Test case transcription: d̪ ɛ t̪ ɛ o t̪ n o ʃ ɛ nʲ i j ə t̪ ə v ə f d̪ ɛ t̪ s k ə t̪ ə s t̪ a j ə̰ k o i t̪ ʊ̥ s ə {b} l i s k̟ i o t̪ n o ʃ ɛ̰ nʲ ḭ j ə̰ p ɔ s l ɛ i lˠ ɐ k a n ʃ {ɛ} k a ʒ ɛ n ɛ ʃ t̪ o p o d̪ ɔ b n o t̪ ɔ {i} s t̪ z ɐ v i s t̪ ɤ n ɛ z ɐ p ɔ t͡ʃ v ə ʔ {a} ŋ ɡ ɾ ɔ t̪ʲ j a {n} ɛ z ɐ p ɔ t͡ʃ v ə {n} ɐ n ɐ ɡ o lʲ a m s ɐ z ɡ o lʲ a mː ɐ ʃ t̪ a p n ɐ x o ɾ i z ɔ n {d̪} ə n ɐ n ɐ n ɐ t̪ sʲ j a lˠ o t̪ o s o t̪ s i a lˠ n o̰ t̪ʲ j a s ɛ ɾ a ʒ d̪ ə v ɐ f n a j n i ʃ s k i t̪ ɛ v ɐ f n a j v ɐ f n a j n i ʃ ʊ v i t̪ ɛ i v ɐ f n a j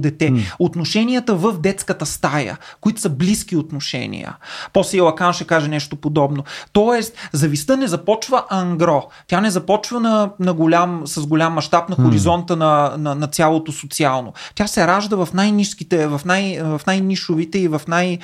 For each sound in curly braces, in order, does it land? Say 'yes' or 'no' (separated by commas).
yes, yes, no, no, yes, yes, no